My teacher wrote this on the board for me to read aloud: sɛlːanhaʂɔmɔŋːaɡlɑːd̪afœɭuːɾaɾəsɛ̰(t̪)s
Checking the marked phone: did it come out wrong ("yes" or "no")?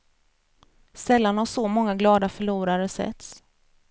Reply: no